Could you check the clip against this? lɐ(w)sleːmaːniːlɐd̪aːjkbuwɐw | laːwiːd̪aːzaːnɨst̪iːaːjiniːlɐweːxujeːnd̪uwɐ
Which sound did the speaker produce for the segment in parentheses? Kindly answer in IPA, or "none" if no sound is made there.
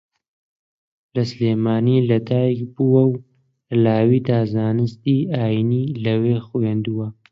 none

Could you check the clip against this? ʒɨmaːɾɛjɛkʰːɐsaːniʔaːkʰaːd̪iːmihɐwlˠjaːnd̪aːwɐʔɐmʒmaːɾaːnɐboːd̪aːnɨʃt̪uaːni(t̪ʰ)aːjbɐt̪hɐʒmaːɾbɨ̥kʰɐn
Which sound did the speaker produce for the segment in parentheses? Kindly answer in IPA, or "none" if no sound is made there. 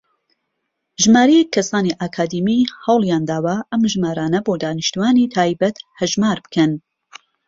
t̪ʰ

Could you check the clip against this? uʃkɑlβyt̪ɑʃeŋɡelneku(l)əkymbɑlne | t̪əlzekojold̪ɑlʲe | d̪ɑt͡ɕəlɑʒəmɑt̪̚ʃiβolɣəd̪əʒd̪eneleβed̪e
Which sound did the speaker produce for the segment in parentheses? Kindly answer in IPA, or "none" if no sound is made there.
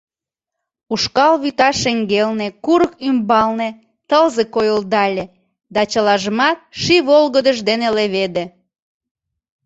ɾ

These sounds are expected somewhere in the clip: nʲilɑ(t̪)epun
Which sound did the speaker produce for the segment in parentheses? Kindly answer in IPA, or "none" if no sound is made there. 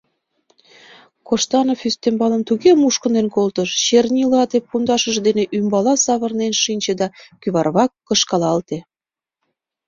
t̪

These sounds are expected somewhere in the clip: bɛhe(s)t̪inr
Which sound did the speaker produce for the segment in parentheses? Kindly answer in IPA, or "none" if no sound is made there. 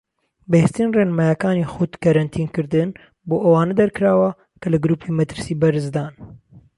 s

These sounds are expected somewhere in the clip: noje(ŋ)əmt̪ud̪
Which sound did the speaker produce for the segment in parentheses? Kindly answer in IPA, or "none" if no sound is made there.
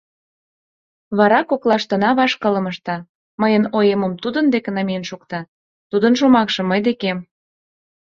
m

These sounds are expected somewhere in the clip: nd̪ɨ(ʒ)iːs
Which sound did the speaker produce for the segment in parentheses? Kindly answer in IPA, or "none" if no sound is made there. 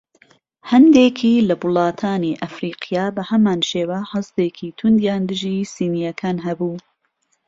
ʒ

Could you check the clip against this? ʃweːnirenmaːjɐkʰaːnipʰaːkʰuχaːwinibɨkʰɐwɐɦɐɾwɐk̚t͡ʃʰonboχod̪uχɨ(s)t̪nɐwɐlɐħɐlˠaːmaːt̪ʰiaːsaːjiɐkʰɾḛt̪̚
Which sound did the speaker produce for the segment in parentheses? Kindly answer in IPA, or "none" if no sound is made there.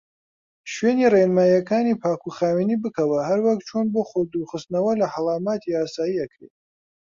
s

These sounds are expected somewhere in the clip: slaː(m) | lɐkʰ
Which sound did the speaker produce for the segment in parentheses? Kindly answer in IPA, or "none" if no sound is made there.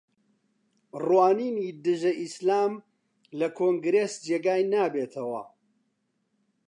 m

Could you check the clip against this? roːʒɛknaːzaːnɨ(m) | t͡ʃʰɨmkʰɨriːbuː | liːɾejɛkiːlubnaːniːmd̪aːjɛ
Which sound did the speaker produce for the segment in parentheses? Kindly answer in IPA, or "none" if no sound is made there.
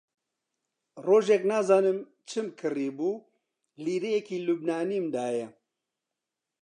m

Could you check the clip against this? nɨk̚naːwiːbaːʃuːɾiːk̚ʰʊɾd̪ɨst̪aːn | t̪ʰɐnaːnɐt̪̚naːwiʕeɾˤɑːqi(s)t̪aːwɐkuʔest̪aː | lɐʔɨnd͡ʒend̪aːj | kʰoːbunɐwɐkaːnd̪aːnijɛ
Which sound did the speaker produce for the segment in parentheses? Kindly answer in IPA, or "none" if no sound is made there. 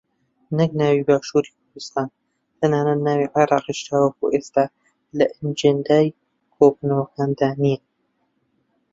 ʃ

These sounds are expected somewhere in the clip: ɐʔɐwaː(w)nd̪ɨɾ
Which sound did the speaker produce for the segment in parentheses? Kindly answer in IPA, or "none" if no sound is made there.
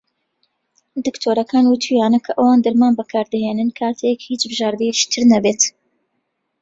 none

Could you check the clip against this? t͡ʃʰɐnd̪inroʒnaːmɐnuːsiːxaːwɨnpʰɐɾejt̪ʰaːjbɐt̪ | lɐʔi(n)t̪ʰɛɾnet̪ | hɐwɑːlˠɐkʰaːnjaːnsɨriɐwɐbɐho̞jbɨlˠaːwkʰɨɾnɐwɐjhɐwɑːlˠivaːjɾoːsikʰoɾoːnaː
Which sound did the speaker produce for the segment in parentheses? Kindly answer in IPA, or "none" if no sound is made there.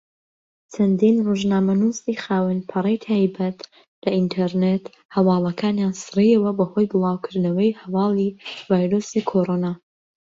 n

